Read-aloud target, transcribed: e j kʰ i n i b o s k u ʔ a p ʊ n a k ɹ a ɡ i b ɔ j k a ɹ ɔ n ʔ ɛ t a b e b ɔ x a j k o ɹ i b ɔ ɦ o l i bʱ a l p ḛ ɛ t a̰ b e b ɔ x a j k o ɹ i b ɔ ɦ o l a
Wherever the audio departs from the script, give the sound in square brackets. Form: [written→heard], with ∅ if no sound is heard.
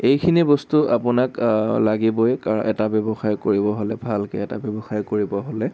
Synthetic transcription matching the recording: e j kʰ i n i b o s [k→t] u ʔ a p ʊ n a k [ɹ→l] a ɡ i b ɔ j k a ɹ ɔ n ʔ ɛ t a b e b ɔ x a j k o ɹ i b ɔ ɦ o l [i→ɛ] bʱ a l [p→k] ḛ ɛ t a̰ b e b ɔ x a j k o ɹ i b ɔ ɦ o l [a→ɛ]